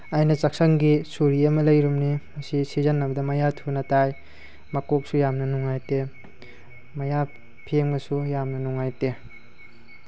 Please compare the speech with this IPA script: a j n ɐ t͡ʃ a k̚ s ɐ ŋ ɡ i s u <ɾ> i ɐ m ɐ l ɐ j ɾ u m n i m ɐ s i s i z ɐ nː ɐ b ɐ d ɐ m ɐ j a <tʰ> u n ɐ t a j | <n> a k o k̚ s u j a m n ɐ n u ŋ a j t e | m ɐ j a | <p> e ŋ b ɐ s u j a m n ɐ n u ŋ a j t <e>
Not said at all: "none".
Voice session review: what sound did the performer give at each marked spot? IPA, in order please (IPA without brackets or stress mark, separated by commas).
ɾ, tʰ, m, pʰ, e